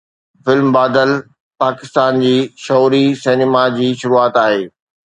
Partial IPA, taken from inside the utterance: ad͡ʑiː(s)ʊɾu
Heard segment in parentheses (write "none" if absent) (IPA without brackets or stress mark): ʃ